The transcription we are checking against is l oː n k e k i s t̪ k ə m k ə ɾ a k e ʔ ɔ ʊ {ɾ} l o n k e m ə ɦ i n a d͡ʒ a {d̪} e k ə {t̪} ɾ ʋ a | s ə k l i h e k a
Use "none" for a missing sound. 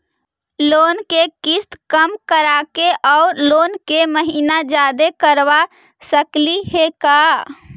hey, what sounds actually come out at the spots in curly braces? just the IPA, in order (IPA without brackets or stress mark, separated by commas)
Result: ɾ, d̪, none